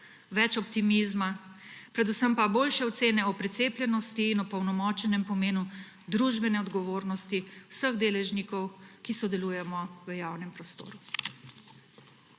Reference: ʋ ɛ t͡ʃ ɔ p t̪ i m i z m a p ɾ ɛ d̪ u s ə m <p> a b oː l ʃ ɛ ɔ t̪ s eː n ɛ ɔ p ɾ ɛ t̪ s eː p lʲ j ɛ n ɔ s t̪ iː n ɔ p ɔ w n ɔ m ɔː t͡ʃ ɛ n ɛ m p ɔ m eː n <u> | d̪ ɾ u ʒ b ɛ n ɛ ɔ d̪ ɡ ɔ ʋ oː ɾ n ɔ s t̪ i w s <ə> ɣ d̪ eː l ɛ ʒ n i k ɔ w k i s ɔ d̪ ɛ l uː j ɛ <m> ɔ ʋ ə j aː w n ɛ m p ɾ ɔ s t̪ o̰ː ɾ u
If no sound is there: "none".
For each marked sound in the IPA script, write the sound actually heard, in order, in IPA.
p, u, ə, m

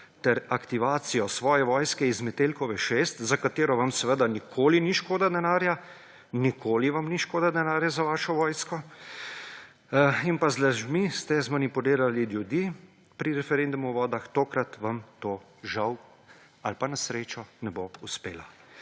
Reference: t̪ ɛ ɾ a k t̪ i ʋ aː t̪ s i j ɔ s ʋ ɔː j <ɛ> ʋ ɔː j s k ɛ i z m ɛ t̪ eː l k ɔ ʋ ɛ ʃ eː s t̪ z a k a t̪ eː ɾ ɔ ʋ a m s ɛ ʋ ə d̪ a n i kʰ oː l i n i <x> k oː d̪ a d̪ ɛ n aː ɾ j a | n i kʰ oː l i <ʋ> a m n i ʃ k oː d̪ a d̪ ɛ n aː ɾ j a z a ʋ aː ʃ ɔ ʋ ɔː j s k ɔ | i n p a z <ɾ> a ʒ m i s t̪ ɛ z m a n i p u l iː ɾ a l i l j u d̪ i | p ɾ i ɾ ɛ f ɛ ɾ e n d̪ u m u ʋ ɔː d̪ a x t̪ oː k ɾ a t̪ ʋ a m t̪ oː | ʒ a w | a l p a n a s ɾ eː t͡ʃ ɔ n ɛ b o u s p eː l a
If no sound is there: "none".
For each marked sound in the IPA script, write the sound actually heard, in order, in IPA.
ɛ, ʃ, ʋ, l

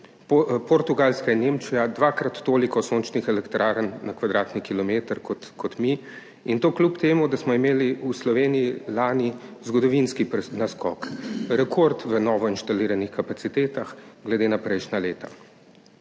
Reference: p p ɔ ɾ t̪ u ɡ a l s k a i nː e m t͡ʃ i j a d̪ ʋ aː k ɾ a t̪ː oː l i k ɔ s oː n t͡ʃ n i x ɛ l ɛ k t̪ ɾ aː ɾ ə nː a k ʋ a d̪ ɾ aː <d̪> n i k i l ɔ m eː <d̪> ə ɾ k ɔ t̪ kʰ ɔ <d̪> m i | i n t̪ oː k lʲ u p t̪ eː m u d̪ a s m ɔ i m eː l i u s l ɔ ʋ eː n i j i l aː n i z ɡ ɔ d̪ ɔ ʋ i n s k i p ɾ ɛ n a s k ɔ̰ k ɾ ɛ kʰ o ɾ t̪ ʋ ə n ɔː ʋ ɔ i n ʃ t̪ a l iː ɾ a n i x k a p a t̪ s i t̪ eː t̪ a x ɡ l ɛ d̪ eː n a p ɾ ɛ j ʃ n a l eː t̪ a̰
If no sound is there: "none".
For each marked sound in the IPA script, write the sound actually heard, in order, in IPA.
t̪, t̪, t̪

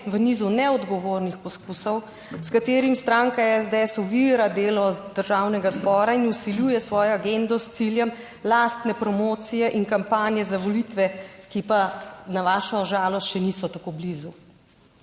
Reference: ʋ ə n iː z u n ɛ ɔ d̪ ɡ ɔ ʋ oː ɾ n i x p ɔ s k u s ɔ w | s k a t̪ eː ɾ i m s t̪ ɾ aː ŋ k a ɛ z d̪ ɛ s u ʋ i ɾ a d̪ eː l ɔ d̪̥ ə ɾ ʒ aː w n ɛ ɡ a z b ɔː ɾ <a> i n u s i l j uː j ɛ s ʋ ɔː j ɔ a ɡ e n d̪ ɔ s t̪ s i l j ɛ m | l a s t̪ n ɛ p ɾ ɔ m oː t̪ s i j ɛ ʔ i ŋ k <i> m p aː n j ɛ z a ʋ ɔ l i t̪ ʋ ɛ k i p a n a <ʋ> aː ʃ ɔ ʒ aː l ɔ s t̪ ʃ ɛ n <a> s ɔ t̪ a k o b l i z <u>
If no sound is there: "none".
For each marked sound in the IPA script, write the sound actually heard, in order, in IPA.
a, a, ʋ, i, u

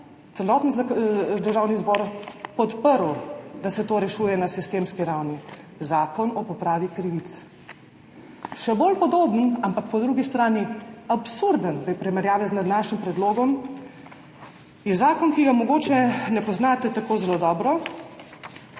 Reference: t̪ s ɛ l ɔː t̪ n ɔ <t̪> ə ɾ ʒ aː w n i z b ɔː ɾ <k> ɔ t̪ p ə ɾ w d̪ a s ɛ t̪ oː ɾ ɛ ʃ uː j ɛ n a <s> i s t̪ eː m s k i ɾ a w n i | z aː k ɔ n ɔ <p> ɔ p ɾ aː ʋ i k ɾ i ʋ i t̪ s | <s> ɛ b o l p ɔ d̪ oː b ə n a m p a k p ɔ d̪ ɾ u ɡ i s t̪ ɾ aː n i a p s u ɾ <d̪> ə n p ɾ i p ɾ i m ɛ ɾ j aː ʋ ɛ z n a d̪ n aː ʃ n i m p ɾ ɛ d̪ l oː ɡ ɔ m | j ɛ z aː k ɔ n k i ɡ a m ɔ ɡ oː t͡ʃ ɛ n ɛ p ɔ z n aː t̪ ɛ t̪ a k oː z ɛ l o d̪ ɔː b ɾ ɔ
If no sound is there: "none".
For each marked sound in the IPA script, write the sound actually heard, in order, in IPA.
d̪, p, s, p, ʃ, d̪

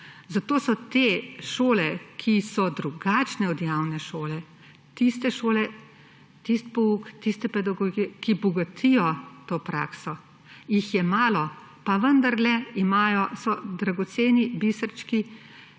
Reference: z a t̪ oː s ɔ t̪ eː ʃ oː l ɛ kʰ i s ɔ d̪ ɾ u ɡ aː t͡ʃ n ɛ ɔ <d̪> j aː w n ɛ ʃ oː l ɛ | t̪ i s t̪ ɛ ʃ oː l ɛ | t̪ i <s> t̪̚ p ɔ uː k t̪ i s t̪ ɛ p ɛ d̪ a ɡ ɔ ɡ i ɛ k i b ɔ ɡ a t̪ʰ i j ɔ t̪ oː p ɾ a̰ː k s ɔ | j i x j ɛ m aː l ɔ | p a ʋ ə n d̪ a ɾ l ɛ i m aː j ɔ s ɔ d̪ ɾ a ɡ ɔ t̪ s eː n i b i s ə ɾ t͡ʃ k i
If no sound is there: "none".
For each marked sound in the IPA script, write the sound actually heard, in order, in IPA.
d̪, s

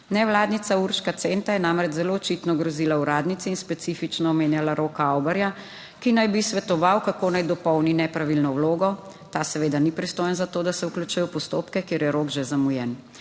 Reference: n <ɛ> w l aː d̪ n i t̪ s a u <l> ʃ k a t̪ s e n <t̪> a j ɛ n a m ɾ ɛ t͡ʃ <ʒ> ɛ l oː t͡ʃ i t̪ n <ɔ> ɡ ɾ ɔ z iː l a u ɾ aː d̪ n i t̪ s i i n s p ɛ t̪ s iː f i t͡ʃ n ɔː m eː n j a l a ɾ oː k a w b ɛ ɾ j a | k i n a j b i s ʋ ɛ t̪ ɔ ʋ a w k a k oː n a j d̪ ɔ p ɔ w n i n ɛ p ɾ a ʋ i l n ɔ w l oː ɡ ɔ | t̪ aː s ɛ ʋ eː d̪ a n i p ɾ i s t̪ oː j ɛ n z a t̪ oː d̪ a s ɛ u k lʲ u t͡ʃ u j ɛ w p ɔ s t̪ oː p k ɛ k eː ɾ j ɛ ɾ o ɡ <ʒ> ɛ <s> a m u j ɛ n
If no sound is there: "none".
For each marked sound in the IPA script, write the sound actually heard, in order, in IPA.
ɛ, ɾ, t̪, z, ɔ, ʒ, z

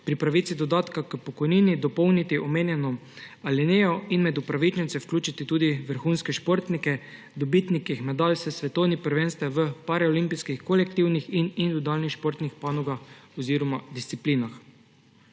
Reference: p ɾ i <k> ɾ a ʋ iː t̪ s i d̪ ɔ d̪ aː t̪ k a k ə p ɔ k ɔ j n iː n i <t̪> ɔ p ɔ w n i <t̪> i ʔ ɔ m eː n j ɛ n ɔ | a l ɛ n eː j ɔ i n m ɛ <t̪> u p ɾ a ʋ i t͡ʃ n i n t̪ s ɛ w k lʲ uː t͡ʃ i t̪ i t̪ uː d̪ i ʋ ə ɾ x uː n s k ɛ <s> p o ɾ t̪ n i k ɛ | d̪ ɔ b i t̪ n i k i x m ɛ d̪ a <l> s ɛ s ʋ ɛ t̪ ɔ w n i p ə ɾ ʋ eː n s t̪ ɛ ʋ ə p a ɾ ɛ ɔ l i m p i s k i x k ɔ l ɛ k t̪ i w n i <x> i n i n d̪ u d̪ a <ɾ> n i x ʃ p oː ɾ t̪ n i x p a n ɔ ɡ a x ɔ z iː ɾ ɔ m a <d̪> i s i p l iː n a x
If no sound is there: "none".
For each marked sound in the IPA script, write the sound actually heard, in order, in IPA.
p, d̪, t̪, d̪, ʃ, l, x, l, d̪

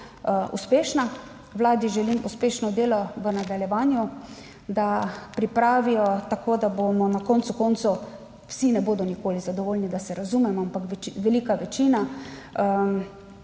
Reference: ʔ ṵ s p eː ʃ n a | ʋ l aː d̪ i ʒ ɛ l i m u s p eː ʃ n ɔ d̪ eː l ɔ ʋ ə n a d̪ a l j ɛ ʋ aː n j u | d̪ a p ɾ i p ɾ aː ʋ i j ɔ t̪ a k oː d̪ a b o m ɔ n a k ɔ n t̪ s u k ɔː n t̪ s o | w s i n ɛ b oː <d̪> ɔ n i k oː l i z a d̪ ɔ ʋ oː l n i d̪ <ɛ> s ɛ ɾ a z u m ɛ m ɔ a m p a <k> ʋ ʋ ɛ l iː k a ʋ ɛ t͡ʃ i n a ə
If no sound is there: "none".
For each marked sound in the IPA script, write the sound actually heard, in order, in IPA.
d̪, a, k

